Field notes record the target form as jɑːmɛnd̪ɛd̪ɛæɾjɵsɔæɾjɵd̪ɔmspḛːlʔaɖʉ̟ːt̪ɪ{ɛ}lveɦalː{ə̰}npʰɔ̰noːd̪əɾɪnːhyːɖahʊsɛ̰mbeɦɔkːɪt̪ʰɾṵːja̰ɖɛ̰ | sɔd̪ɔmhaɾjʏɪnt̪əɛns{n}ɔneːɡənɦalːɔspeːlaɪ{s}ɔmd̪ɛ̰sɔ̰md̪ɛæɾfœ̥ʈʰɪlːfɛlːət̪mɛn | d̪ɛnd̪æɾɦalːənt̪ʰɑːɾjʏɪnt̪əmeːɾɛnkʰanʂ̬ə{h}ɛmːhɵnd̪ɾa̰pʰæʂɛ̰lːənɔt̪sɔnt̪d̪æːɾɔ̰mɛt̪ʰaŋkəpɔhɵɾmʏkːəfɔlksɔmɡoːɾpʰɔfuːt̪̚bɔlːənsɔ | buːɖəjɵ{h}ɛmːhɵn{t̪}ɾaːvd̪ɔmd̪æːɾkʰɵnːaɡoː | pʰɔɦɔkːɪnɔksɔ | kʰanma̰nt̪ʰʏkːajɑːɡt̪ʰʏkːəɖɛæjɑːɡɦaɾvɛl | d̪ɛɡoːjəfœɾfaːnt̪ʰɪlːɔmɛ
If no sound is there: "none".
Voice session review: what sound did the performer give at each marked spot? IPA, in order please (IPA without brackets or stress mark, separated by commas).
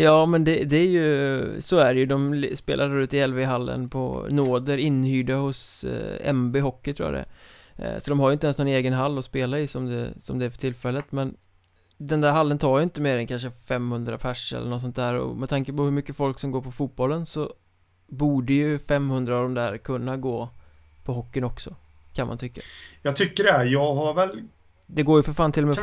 ɛ, ə̰, n, s, f, f, d̪